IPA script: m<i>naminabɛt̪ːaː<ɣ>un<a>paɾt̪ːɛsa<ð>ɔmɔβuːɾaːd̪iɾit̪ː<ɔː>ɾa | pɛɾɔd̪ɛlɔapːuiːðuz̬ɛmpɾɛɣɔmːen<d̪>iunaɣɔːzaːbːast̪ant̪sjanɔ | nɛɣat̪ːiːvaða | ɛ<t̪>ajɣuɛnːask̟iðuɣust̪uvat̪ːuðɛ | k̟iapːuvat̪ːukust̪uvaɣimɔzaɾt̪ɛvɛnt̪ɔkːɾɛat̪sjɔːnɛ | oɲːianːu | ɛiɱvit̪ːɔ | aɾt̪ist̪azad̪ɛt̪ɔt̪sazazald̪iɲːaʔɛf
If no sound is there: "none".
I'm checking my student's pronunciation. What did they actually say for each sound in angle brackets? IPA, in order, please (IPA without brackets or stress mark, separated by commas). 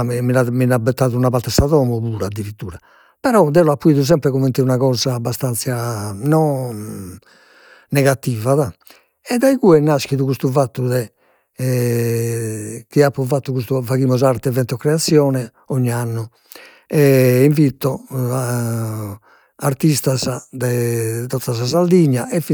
i, ð, a, ð, uː, t̪, d̪